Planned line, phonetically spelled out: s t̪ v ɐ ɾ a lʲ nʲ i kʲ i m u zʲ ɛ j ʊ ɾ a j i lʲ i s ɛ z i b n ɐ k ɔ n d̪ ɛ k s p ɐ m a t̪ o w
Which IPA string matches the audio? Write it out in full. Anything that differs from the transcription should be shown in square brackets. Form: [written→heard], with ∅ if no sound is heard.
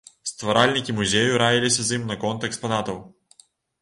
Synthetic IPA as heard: s t̪ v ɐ ɾ a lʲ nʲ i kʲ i m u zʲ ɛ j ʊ ɾ a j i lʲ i s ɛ z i [b→m] n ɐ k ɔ n [d̪→t̪] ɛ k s p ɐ [m→n] a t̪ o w